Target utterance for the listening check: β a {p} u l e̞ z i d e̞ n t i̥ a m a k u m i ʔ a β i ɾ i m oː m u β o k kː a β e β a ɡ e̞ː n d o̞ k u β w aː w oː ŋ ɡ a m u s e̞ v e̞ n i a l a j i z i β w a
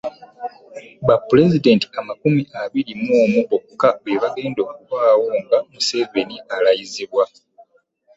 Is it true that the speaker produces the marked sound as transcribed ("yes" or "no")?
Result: yes